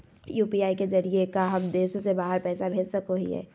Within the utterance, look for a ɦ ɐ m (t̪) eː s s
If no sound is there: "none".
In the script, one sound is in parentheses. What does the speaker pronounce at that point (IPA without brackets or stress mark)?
d̪